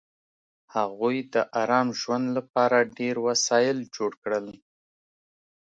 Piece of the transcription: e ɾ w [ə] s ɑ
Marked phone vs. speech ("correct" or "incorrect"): incorrect